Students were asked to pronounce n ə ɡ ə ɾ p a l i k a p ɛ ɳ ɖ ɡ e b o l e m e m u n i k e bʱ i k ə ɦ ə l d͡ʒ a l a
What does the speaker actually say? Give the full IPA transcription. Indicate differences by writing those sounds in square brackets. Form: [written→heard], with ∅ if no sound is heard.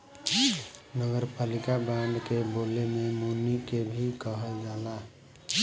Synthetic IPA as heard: n ə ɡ ə ɾ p a l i k a [p→b] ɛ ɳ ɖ [ɡ→k] e b o l e m e m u n i k e bʱ i k ə ɦ ə l d͡ʒ a l a